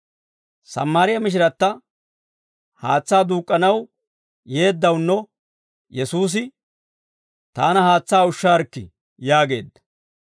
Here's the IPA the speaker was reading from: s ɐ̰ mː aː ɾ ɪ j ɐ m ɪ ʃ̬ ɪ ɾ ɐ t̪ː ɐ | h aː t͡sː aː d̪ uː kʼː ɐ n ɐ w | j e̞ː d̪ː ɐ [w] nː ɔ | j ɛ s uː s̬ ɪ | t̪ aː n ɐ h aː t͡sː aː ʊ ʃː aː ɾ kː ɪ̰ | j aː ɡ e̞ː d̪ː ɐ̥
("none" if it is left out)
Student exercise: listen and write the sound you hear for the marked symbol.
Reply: w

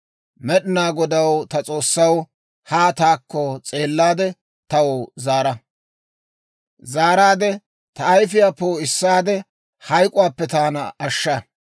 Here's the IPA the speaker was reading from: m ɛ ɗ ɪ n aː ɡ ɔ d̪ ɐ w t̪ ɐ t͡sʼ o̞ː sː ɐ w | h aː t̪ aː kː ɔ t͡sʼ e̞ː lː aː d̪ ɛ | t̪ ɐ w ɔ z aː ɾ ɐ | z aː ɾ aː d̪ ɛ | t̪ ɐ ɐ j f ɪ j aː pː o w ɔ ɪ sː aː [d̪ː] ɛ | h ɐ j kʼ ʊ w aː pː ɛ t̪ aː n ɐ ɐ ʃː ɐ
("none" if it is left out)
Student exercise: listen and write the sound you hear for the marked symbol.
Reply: d̪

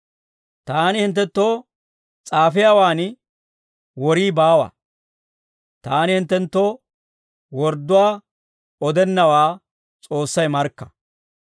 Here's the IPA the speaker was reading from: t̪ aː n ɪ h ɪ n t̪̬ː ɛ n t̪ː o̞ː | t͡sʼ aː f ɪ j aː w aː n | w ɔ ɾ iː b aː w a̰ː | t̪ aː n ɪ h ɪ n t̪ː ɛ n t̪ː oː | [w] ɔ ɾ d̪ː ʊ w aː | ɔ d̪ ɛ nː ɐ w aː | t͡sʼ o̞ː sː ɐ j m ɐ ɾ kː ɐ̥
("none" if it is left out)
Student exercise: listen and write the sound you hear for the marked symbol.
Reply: w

